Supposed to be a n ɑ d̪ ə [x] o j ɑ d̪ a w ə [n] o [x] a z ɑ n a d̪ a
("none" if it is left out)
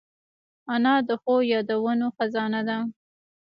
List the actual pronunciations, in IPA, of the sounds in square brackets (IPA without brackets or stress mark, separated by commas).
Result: x, n, x